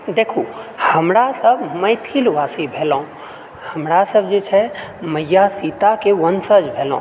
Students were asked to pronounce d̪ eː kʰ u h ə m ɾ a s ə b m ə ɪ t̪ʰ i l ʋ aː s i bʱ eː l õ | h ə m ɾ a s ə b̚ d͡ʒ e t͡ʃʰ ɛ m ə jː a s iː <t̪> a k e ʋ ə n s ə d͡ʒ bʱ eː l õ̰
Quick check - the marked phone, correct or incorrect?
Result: correct